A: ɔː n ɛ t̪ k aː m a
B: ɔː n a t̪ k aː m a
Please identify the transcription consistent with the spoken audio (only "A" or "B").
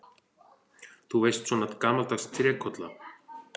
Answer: B